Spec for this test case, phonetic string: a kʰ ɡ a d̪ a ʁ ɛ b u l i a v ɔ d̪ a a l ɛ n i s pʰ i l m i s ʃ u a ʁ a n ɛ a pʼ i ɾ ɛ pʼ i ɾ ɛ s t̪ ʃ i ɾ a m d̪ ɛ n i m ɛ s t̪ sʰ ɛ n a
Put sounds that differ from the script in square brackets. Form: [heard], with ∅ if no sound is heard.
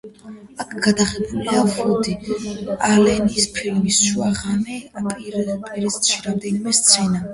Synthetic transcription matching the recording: a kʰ ɡ a d̪ a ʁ ɛ b u l i a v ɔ d̪ [i] a l ɛ n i s pʰ i l m i s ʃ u a ʁ a n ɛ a pʼ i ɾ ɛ pʼ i ɾ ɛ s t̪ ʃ i ɾ a m d̪ ɛ n i m ɛ s t̪ sʰ ɛ n a